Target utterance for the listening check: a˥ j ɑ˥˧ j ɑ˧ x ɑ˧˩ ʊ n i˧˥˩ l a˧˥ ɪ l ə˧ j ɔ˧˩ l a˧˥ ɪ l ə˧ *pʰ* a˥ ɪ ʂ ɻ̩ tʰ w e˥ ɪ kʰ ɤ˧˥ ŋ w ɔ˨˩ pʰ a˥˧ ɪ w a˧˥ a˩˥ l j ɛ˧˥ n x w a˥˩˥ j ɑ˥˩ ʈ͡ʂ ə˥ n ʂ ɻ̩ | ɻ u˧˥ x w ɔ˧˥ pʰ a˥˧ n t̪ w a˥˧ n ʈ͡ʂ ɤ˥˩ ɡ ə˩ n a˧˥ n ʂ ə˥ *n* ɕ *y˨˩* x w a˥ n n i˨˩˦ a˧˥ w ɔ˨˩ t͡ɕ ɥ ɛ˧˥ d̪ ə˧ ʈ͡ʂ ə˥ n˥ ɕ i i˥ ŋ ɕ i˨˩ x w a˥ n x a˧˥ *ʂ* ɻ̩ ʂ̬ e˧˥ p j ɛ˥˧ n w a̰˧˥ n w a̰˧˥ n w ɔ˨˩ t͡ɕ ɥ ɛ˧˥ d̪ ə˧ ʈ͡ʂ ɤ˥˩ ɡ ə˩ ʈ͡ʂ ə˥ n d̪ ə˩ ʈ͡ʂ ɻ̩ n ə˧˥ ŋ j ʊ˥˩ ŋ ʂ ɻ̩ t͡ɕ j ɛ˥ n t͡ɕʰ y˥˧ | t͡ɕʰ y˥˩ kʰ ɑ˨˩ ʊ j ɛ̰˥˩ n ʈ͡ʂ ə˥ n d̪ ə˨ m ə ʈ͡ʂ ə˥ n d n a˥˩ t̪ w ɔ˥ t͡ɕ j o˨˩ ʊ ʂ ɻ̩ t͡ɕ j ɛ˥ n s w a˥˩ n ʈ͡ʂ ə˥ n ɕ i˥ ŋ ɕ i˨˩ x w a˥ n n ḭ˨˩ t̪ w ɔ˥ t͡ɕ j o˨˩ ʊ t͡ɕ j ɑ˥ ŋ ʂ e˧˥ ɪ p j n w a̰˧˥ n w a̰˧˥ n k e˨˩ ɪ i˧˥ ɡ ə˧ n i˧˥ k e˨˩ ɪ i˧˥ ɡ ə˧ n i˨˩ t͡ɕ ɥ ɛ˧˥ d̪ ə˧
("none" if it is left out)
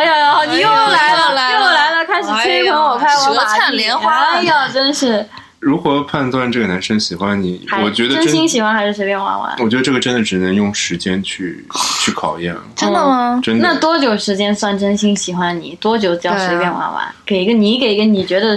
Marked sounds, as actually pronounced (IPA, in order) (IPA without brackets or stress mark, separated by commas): kʰ, ŋ, i˨˩, ʂ